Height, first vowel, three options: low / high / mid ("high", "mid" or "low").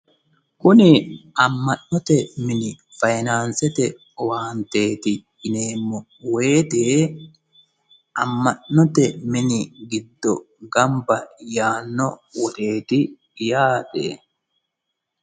high